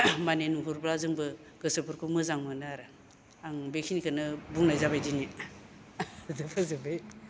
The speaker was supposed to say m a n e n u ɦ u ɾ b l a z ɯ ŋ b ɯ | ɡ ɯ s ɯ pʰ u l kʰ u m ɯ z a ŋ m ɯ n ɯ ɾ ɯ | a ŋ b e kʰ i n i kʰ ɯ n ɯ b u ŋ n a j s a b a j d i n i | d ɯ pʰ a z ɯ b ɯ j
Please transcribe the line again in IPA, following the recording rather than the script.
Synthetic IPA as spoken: m a n e n u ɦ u ɾ b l a z ɯ ŋ b ɯ | ɡ ɯ s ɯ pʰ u ɾ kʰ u m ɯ z a ŋ m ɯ n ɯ ɾ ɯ | a ŋ b e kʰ i n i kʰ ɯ n ɯ b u ŋ n a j z a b a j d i n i | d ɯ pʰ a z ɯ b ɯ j